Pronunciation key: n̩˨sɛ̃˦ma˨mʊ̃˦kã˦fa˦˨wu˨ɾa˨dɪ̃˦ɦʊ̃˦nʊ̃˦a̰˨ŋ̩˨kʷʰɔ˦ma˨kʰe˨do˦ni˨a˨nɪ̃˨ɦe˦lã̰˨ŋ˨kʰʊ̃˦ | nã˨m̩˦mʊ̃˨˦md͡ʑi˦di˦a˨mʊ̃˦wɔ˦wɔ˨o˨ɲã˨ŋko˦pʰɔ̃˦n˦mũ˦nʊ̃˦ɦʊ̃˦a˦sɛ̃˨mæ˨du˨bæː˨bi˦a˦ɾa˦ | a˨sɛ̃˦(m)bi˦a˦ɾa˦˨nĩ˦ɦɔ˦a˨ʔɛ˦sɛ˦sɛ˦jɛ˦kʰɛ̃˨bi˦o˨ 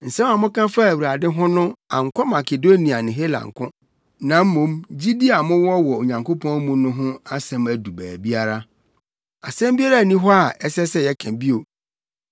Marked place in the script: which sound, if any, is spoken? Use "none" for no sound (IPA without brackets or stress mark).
m